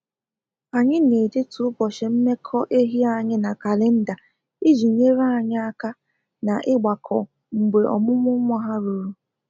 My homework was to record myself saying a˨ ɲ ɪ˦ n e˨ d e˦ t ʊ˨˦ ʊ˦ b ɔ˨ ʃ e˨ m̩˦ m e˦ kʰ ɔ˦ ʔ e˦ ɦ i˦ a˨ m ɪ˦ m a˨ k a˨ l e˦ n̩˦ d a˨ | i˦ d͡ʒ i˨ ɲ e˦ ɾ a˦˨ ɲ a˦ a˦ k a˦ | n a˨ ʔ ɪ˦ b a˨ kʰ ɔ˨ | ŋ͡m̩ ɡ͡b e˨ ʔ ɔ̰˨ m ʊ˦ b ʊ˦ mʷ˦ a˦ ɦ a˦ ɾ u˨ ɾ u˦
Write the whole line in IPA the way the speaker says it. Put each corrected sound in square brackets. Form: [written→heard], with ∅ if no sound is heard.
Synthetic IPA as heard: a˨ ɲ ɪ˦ n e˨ d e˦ t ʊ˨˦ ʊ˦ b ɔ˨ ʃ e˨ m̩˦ m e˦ kʰ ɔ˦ ʔ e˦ ɦ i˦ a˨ [m→ɲ] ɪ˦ [m→n] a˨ k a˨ l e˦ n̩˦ d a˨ | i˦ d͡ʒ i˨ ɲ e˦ ɾ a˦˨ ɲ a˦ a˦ k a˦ | n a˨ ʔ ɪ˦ [b→ɡ͡b] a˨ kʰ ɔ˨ | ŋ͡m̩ ɡ͡b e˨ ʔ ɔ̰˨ m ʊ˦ [b→m] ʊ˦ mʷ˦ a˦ ɦ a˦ ɾ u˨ ɾ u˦